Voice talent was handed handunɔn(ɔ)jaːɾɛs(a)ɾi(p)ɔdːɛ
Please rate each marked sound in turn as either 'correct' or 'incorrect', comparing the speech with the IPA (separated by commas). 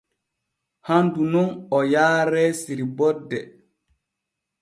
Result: correct, incorrect, incorrect